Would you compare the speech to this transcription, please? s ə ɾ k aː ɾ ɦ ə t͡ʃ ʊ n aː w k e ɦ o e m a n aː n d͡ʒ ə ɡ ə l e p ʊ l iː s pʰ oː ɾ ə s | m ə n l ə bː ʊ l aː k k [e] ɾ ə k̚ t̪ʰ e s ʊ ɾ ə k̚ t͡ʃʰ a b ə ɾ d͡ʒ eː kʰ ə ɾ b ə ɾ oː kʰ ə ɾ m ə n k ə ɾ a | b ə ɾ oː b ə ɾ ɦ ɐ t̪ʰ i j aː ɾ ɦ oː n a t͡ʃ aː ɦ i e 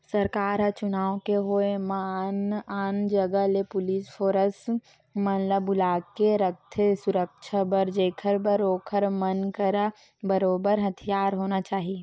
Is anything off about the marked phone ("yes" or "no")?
no